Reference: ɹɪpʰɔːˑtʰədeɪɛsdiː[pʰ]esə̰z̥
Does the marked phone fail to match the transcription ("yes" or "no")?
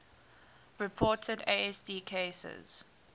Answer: yes